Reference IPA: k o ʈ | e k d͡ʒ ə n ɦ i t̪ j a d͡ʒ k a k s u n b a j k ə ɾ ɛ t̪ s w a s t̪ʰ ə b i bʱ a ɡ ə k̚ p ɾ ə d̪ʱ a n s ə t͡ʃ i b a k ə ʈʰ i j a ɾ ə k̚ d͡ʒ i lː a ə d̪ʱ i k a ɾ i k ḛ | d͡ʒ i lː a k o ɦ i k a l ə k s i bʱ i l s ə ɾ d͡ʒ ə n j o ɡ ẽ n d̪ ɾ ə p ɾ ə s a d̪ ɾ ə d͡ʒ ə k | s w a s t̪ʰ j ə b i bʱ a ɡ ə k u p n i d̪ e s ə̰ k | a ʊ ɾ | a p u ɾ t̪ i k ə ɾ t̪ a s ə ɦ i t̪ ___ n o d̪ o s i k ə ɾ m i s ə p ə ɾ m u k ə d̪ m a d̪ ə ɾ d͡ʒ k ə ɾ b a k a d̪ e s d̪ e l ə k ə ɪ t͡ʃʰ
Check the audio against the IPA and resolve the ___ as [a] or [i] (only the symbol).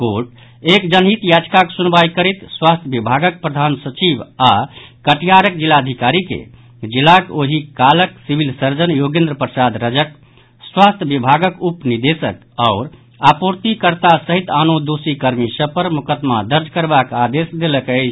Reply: a